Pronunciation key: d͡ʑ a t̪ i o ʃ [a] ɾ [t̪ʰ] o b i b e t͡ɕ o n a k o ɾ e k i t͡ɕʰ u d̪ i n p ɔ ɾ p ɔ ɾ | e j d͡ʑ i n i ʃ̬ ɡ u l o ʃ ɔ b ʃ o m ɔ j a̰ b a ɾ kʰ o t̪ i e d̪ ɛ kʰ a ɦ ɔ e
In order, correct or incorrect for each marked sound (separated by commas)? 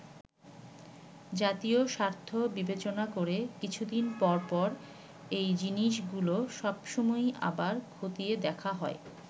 correct, correct